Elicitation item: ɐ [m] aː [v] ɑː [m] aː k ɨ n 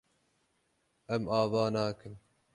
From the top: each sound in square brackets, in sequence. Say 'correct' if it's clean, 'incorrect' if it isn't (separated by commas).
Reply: correct, correct, incorrect